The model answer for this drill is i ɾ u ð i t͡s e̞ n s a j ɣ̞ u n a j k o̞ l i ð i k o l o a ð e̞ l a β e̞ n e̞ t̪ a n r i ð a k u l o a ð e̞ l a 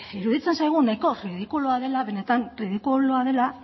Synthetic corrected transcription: i ɾ u ð i t͡s e̞ n s a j ɣ̞ u n a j k o̞ r i ð i k u l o a ð e̞ l a β e̞ n e̞ t̪ a n r i ð i k u l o a ð e̞ l a